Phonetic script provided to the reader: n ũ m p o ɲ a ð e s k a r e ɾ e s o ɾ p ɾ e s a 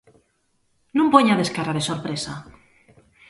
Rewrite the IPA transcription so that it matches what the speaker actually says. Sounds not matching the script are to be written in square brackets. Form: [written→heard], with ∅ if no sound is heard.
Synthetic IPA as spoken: n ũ m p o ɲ a ð e s k a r [e→a] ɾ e s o ɾ p ɾ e s a